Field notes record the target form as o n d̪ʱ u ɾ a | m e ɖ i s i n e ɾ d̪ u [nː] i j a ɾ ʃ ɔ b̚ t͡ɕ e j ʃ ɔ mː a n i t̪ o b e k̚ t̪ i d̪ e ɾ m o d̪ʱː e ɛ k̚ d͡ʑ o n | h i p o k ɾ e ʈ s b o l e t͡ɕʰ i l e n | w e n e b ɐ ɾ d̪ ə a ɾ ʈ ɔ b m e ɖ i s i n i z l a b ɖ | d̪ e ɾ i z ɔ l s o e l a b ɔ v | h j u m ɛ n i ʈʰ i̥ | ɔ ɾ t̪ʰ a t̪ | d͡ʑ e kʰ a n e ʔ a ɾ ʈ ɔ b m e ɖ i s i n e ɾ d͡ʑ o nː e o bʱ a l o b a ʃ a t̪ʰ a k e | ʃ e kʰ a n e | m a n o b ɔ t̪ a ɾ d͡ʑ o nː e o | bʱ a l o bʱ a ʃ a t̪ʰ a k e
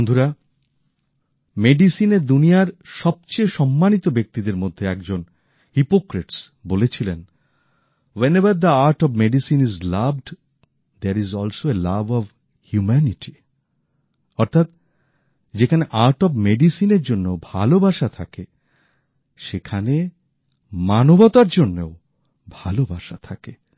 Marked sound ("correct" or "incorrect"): incorrect